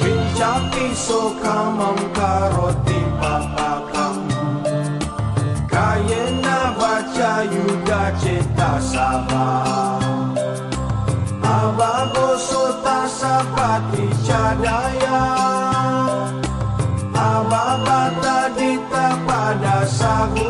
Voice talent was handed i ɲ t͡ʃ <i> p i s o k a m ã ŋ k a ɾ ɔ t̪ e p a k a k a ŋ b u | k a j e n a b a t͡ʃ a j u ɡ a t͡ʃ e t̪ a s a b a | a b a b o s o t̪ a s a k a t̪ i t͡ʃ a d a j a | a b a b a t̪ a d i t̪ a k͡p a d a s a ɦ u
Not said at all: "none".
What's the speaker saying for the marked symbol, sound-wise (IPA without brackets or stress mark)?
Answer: a